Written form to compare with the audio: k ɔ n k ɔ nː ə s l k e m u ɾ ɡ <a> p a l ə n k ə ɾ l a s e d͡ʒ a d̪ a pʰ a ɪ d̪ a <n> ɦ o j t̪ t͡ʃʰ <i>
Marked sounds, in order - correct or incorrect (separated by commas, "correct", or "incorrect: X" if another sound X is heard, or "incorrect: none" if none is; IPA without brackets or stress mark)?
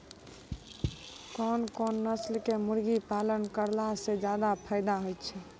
incorrect: i, incorrect: none, incorrect: ɛ